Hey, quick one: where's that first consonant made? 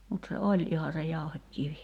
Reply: lips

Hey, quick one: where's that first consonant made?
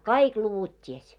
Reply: velum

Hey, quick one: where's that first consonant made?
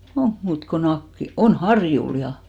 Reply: velum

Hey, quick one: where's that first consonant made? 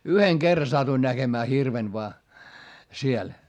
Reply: throat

